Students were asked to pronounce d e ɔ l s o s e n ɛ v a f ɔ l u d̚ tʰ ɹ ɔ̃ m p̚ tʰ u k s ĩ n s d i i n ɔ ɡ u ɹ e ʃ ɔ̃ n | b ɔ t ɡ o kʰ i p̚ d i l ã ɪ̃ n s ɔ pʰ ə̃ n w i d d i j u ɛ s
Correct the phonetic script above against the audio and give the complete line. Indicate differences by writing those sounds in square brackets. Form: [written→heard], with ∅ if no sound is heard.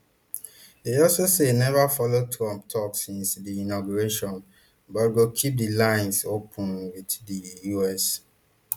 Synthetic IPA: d e ɔ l s o s e n ɛ v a f ɔ l [u→o] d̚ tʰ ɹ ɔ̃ m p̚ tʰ [u→ɔ] k s ĩ n s d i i n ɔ ɡ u ɹ e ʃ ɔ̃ n | b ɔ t ɡ o kʰ i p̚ d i l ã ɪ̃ n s [ɔ→o] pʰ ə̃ n w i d d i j u ɛ s